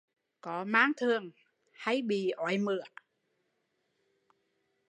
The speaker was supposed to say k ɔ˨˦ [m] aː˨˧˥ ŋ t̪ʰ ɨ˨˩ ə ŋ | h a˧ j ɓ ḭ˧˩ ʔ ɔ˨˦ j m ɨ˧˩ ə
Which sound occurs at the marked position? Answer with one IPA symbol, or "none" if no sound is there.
m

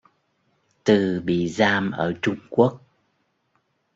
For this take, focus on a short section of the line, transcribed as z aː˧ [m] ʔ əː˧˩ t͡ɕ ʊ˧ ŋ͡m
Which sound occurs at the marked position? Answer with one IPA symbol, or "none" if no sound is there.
m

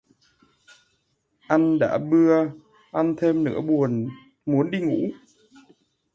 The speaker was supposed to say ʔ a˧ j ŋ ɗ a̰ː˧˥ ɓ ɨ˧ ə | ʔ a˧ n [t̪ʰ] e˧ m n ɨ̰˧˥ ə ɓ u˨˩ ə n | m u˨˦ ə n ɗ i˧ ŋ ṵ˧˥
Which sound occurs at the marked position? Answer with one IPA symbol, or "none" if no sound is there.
t̪ʰ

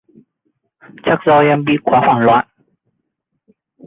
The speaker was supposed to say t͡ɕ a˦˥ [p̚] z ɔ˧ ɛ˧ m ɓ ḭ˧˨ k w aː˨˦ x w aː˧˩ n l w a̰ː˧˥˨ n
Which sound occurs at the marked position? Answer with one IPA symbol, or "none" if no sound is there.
k̚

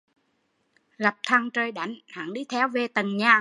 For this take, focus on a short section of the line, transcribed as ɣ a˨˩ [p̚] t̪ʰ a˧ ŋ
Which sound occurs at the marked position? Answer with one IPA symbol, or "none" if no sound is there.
p̚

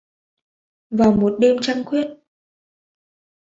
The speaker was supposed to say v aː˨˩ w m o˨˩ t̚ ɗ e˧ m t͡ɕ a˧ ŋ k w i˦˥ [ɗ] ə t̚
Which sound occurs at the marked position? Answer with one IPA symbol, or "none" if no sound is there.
none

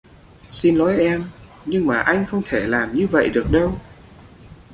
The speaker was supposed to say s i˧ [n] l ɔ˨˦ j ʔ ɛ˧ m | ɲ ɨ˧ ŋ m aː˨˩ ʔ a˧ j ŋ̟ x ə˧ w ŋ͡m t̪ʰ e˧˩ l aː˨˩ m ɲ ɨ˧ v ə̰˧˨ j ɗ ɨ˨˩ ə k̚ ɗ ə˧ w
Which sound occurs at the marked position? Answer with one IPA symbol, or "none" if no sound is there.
n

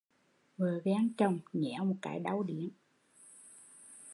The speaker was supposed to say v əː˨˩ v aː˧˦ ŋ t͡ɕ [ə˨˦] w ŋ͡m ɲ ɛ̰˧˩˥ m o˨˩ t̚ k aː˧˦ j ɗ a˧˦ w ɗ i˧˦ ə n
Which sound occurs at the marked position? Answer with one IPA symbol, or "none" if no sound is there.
ə˨˩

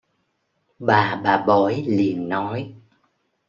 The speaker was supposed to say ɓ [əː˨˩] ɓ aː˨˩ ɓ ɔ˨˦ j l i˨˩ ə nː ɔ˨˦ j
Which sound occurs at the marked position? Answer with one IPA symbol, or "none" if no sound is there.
aː˨˩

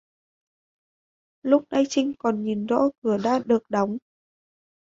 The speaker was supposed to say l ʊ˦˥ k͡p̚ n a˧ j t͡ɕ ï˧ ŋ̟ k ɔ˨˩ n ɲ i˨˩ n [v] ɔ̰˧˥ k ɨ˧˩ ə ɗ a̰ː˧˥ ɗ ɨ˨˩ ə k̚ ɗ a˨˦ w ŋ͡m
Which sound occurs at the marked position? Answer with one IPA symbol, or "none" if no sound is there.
z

